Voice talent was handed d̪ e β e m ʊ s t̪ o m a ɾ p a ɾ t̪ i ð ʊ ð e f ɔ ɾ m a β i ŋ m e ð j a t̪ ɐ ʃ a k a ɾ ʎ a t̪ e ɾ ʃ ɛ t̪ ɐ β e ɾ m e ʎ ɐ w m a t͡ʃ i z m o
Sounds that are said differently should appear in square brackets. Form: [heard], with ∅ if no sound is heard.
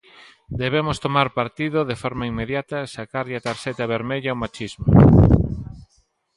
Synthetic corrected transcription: d̪ e β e m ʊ s t̪ o m a ɾ p a ɾ t̪ i ð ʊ ð e f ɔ ɾ m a [∅] i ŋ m e ð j a t̪ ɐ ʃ a k a ɾ ʎ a t̪ [a] ɾ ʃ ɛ t̪ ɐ β e ɾ m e ʎ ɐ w m a t͡ʃ i z m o